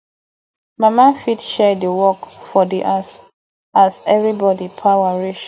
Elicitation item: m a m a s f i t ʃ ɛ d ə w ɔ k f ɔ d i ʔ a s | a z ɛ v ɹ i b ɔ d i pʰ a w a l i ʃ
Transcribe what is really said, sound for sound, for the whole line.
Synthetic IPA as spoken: m a m a f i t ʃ ɛ d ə w ɔ k f ɔ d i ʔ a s | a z ɛ v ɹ i b ɔ d i pʰ a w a ɹ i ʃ